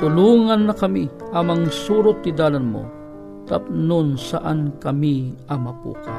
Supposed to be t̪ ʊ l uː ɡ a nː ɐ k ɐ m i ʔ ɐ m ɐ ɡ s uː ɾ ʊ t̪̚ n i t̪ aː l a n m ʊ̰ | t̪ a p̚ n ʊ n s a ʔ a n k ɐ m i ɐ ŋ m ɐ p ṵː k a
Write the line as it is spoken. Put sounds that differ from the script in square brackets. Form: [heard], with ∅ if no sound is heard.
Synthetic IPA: t̪ ʊ l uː [ŋ] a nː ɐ k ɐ m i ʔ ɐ m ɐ [ŋ] s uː ɾ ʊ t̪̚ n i [d̪] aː l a n m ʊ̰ | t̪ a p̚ n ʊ n s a ʔ a n k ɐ m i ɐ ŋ m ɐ p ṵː k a